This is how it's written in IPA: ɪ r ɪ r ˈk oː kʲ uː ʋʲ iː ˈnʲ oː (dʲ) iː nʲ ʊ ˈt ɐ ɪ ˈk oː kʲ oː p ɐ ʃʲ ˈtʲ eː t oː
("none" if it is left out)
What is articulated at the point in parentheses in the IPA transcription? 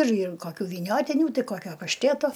tʲ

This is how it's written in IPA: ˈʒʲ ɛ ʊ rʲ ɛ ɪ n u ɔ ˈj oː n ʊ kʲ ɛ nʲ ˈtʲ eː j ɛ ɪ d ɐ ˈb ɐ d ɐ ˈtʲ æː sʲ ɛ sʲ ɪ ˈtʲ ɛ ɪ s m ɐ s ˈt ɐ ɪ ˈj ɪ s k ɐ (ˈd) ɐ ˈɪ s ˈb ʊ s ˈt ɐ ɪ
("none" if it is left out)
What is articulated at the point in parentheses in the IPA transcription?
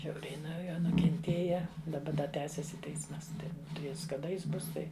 d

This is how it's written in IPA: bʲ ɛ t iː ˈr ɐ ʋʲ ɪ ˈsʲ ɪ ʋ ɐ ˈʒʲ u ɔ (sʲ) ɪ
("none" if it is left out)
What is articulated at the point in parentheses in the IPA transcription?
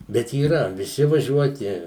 tʲ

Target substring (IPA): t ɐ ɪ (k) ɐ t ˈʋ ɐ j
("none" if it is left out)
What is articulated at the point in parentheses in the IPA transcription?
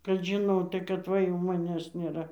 k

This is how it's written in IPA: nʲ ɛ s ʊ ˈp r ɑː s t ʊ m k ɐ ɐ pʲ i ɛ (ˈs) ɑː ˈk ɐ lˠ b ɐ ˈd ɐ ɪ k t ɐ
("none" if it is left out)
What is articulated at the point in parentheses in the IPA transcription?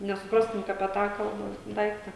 t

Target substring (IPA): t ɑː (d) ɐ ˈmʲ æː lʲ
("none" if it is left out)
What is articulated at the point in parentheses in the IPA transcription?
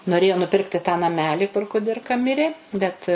n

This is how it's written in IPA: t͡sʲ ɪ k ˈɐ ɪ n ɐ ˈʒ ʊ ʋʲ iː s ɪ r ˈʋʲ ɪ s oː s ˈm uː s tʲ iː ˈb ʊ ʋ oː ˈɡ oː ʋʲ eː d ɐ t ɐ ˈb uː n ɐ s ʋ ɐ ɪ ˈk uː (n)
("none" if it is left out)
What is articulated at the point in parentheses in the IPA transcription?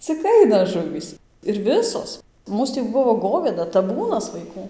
none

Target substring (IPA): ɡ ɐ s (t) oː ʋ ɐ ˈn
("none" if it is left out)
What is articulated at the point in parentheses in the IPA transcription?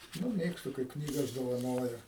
d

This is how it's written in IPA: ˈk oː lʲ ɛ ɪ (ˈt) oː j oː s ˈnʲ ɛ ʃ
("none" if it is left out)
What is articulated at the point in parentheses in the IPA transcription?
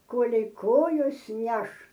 k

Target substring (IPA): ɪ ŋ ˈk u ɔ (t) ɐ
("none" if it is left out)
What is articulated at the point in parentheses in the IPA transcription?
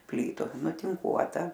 t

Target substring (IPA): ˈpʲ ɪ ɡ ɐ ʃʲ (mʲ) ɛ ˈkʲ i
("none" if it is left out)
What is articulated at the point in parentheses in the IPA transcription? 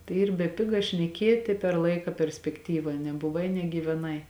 nʲ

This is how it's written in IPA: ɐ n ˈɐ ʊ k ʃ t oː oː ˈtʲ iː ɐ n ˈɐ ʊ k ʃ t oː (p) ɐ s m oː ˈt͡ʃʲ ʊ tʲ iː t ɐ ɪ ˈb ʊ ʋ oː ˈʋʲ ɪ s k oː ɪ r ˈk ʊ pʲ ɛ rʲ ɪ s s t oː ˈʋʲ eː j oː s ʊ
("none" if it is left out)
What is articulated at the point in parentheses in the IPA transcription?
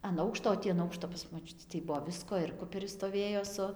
p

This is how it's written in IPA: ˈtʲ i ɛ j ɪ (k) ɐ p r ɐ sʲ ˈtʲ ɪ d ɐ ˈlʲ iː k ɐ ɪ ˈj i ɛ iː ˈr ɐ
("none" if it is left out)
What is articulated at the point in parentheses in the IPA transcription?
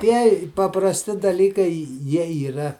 p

